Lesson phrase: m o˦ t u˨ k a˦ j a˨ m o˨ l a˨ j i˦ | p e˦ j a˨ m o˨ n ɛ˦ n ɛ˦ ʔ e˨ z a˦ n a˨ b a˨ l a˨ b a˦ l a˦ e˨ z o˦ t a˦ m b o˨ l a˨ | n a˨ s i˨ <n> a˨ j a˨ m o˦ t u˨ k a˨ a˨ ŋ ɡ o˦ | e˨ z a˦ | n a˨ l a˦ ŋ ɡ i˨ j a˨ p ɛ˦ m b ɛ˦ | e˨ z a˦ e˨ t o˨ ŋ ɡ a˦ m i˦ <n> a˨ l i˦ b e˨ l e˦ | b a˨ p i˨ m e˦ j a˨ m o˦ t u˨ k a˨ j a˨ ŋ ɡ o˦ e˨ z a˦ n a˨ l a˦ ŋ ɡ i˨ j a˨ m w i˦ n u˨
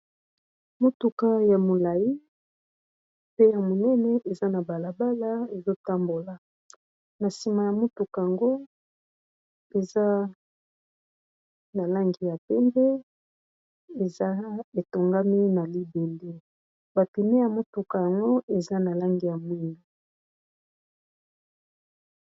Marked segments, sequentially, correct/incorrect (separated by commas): incorrect, correct